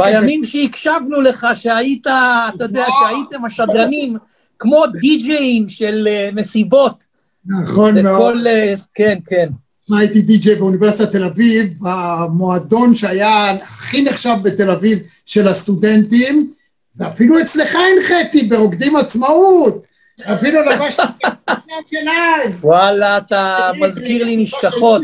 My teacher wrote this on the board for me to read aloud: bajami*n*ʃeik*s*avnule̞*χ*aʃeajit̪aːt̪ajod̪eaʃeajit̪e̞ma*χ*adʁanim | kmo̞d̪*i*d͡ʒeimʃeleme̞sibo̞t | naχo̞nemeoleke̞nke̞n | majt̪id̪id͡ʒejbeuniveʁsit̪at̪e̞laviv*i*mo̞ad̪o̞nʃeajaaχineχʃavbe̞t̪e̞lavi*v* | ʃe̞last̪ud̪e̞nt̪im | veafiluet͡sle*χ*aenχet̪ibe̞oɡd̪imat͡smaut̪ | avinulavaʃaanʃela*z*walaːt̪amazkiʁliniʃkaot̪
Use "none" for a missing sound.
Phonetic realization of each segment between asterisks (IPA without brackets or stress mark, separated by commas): m, ʃ, χ, ʃ, i, a, v, χ, z